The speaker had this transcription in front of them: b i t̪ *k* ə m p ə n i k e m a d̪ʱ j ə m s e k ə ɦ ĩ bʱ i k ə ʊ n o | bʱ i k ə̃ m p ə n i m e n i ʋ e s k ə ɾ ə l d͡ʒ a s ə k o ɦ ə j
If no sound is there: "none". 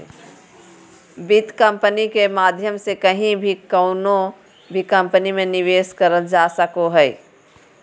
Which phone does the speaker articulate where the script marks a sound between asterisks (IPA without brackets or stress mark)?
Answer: k